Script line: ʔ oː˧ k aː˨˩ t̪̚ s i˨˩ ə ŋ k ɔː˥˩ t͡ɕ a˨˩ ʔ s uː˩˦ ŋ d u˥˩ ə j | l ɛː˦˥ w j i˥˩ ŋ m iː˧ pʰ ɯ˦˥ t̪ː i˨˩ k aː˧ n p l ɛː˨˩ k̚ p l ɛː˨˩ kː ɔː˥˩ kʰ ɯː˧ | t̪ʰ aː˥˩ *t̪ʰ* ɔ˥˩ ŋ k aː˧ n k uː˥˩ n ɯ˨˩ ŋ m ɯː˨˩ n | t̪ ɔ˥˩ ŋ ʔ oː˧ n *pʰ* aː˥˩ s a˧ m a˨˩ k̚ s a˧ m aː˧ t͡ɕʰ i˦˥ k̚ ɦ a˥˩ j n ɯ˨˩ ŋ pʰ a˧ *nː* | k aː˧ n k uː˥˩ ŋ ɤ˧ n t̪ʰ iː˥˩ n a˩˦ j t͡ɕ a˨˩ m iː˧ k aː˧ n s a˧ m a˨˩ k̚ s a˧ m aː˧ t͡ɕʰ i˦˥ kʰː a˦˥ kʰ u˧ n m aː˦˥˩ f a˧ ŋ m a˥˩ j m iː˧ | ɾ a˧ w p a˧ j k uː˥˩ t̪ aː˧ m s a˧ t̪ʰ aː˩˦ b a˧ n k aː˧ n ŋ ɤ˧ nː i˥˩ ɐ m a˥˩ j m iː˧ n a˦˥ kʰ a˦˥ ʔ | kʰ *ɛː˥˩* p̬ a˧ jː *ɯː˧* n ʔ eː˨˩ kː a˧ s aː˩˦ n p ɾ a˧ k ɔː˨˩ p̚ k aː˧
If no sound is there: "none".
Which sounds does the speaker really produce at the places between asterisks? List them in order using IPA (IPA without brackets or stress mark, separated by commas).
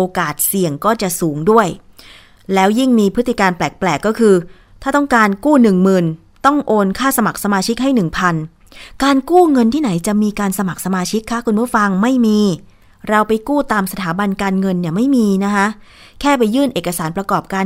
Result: t̪, kʰ, n, ɛː˥˩, ɯː˥˩